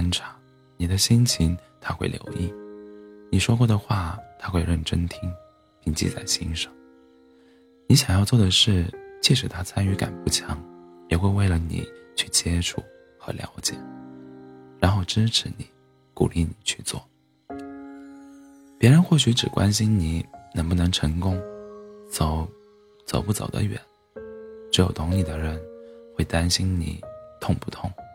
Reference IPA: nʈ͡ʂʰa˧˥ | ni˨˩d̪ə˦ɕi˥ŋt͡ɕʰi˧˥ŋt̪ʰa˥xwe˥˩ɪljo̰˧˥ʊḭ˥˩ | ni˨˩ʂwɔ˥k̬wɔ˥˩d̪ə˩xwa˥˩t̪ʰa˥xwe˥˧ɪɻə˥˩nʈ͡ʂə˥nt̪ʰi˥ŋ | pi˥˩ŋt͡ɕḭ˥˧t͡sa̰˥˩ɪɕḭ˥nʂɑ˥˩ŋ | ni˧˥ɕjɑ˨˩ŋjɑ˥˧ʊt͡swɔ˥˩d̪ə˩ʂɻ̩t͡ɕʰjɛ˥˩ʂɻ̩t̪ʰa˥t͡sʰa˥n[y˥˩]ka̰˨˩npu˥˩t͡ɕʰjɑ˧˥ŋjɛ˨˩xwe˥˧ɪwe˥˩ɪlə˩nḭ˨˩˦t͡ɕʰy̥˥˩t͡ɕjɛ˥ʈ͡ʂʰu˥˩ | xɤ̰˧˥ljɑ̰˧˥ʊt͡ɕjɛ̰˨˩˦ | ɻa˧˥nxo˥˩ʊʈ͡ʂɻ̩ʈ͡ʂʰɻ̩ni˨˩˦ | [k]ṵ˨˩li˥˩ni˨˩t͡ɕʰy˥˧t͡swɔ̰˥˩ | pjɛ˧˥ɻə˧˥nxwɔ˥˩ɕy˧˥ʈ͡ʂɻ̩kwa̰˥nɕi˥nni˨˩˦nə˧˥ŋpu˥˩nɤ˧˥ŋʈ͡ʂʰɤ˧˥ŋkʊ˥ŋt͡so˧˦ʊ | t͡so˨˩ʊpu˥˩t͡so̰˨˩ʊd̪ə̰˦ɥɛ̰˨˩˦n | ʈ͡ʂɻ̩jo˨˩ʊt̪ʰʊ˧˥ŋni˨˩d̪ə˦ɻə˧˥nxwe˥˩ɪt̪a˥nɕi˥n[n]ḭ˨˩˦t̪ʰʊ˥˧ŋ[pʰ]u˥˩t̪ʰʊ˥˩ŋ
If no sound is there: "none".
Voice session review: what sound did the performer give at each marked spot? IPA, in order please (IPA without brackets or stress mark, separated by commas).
y˧˥, k, n, p